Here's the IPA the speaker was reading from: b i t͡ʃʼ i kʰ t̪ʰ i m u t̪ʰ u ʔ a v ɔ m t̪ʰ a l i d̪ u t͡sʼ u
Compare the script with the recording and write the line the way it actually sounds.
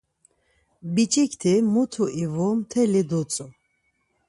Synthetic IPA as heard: b i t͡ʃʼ i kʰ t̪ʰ i m u t̪ʰ u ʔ i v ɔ m t̪ʰ ɛ l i d̪ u t͡sʼ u